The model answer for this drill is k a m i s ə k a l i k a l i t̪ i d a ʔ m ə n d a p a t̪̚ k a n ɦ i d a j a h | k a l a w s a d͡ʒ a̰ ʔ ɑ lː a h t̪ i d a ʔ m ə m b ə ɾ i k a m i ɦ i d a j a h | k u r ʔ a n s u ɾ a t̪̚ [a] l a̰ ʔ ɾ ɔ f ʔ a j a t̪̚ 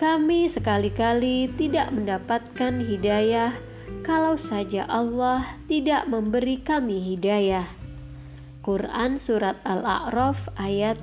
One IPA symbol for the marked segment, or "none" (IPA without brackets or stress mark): a